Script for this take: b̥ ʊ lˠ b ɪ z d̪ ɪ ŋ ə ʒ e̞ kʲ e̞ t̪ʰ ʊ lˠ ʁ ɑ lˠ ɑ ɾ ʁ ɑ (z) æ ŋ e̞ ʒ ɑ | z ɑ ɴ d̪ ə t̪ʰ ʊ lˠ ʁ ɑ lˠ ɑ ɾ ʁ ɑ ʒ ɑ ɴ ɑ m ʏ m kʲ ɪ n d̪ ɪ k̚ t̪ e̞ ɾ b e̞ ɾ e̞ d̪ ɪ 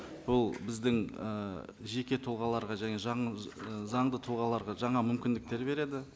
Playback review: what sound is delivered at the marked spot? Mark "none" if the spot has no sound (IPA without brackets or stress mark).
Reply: ʒ